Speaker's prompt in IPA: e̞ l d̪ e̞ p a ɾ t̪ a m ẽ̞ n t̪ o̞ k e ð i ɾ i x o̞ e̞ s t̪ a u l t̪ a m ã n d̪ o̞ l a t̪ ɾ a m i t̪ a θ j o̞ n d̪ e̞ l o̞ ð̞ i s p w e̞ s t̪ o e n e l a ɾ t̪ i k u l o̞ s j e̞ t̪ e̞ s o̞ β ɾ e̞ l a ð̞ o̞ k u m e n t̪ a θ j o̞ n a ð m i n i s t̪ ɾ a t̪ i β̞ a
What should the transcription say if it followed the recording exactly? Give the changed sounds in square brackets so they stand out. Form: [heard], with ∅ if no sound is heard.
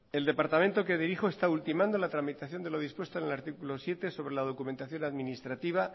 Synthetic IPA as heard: e̞ l d̪ e̞ p a ɾ t̪ a m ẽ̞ n t̪ o̞ k e ð i ɾ i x o̞ e̞ s t̪ a u l t̪ [i] m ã n d̪ o̞ l a t̪ ɾ a m i t̪ a θ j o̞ n d̪ e̞ l o̞ ð̞ i s p w e̞ s t̪ o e n e l a ɾ t̪ i k u l o̞ s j e̞ t̪ e̞ s o̞ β ɾ e̞ l a ð̞ o̞ k u m e n t̪ a θ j o̞ n a ð m i n i s t̪ ɾ a t̪ i β̞ a